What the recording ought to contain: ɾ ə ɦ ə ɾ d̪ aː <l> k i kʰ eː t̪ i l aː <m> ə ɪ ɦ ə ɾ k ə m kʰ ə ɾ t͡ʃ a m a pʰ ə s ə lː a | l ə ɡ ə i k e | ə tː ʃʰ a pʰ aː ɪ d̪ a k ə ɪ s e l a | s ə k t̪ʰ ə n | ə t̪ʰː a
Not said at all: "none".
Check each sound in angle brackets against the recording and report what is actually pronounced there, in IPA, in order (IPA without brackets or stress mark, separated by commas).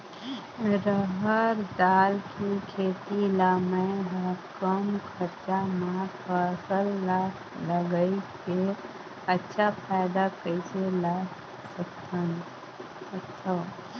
l, m